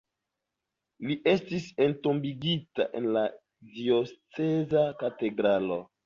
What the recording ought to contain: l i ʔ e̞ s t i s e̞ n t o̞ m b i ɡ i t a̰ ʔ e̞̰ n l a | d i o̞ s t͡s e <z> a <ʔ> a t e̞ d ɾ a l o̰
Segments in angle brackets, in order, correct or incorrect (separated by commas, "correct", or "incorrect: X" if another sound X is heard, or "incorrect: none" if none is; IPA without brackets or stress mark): correct, incorrect: k